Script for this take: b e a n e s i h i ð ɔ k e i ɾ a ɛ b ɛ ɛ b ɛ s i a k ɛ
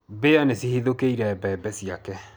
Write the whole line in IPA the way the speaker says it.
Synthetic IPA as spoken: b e a n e s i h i ð o k e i ɾ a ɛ b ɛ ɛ b ɛ s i a k ɛ